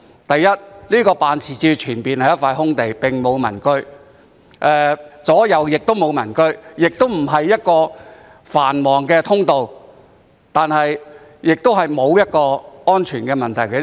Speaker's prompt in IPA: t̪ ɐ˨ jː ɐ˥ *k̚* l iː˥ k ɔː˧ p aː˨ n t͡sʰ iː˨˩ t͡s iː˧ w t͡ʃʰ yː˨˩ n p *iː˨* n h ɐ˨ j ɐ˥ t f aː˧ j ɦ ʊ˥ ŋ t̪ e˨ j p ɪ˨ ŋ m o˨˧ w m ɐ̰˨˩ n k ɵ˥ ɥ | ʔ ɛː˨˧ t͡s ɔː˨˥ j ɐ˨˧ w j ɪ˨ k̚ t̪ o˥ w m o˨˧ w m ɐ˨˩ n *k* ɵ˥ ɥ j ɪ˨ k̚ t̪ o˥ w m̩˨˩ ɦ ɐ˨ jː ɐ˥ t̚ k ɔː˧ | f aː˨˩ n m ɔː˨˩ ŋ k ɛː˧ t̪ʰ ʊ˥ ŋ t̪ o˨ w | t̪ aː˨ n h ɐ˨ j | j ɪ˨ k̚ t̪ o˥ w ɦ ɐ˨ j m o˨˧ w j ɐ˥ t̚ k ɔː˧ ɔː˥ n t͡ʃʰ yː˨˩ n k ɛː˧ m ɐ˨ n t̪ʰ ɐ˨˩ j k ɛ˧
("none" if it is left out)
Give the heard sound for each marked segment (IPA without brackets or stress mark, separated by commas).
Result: t̚, iː˨, k